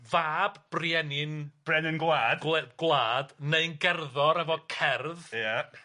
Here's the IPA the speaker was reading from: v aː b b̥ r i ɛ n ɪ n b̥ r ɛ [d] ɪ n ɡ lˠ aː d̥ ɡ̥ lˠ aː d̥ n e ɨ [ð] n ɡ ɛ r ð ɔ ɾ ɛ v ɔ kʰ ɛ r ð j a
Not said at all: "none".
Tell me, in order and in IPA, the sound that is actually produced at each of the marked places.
n, none

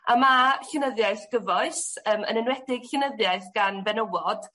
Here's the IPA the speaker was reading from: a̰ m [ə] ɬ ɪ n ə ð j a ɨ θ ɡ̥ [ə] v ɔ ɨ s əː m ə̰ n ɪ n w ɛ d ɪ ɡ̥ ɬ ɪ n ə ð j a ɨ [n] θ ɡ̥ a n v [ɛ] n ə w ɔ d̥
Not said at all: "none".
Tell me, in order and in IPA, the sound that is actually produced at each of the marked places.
a, ə, none, ɛ

